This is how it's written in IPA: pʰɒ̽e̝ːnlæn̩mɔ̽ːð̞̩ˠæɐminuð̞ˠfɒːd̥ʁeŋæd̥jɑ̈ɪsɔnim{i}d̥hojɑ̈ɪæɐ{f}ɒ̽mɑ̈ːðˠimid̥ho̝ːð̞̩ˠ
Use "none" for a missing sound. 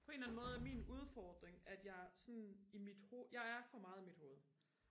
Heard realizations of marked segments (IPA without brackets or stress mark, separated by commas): i, f